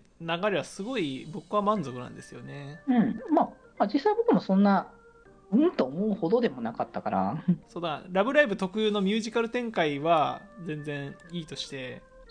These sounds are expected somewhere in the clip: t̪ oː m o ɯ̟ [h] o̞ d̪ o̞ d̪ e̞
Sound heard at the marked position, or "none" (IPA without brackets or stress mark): h